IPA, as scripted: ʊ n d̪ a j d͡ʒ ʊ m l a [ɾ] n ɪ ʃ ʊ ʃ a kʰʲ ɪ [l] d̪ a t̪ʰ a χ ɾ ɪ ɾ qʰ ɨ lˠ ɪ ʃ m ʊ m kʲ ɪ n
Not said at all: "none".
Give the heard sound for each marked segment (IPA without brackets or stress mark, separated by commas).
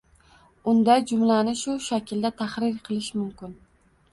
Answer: none, l